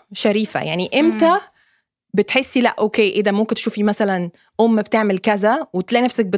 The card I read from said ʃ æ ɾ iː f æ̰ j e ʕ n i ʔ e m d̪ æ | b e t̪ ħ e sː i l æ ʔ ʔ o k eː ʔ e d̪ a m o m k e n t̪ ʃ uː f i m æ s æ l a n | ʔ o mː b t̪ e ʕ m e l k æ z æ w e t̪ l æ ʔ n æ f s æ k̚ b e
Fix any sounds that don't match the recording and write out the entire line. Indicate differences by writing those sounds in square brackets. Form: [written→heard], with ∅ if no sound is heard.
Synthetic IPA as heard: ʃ æ ɾ iː f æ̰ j [e→a] ʕ n i ʔ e m [d̪→t̪] æ | b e t̪ ħ e sː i l æ ʔ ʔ o k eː ʔ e d̪ [a→æ] m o m k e n t̪ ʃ uː f i m æ s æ l [a→æ] n | ʔ o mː b t̪ e ʕ m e l k æ z æ w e t̪ l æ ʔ n æ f s æ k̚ b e